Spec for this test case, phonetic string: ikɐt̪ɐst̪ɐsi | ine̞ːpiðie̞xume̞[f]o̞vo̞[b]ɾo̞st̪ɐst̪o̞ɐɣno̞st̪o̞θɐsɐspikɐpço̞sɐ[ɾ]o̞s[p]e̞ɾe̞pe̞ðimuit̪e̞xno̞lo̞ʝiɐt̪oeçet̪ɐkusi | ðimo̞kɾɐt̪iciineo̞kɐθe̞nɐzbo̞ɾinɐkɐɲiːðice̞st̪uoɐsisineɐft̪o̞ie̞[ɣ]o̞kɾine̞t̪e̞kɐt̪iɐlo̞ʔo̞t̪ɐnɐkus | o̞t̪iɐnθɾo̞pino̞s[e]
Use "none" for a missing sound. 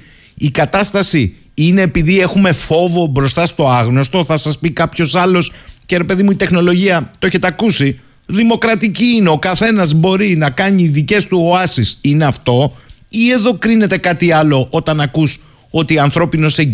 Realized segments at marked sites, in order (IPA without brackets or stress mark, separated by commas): f, b, l, c, ð, e